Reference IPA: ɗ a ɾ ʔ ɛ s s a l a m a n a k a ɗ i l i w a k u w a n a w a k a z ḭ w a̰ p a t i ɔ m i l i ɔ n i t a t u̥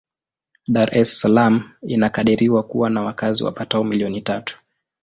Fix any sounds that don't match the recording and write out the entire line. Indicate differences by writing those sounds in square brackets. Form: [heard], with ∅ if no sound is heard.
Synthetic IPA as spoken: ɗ a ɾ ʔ ɛ s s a l a m [i] n a k a ɗ i [ɾ] i w a k u w a n a w a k a z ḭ w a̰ p a t [a] ɔ m i l i ɔ n i t a t u̥